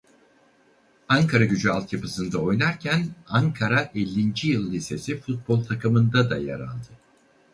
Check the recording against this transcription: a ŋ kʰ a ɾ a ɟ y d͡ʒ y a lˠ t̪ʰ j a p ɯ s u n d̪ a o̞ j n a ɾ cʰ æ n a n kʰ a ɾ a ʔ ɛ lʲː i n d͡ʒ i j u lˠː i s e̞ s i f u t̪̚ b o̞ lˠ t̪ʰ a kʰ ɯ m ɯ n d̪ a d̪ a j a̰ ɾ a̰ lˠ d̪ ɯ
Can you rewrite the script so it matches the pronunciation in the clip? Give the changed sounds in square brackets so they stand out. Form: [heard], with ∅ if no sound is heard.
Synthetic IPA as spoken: a ŋ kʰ a ɾ a ɟ y d͡ʒ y a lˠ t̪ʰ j a p ɯ s [ɯ] n d̪ a o̞ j n a ɾ cʰ æ n a [ŋ] kʰ a ɾ a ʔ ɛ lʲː i n d͡ʒ i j [ɯ] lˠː i s e̞ s i f u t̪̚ b o̞ lˠ t̪ʰ a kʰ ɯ m ɯ n d̪ a d̪ a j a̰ ɾ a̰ lˠ d̪ ɯ